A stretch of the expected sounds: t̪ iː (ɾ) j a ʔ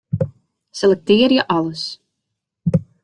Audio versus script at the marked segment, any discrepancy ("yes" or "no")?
no